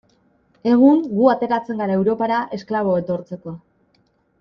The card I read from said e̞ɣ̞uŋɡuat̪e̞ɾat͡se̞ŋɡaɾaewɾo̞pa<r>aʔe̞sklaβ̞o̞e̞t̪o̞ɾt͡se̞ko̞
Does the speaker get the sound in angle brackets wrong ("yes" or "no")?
yes